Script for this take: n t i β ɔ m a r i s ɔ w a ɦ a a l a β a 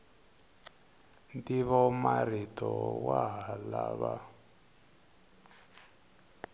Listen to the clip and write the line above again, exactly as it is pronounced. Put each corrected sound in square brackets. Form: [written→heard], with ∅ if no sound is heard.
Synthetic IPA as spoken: n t i β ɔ m a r i [s→t] ɔ w a ɦ a a l a β a

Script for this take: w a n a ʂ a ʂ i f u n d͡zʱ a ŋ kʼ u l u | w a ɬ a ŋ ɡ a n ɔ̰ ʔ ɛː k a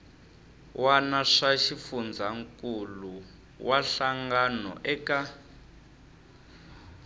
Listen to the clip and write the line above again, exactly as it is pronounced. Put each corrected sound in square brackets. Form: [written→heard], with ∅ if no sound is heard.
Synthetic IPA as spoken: w a n a ʂ a [ʂ→ʃ] i f u n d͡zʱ a ŋ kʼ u l u | w a ɬ a ŋ ɡ a n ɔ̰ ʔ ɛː k a

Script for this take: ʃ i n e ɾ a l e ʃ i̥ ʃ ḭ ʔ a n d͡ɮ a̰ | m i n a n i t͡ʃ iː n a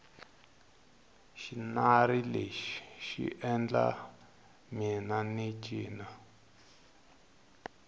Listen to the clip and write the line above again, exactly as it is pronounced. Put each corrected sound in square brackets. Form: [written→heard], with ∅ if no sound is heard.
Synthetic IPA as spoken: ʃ i n [e→a] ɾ [a→i] l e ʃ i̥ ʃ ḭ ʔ [a→ɛ] n d͡ɮ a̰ | m i n a n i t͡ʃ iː n a

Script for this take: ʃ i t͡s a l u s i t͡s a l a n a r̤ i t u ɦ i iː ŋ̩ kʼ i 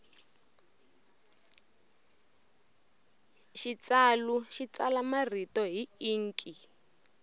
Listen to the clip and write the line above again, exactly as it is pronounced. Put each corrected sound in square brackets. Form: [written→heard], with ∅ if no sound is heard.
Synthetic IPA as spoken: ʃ i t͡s a l u [s→ʃ] i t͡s a l a [n→m] a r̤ i t [u→ɔ] ɦ i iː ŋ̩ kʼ i

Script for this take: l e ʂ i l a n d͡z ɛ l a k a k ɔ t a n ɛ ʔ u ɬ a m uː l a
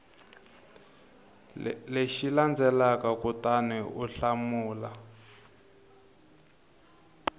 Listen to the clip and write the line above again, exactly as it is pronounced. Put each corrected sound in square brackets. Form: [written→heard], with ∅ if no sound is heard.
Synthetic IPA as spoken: l e [ʂ→ʃ] i l a n d͡z ɛ l a k a k [ɔ→u] t a n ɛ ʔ u ɬ a m uː l a

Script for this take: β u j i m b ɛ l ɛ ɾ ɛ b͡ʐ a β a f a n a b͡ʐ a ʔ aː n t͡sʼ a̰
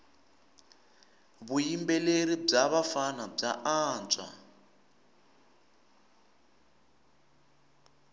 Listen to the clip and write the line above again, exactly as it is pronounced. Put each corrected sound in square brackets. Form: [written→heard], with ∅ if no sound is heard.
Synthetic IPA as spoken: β u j i m b ɛ l [ɛ→e] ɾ [ɛ→i] b͡ʐ a β a f a n a b͡ʐ a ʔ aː n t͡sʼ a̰

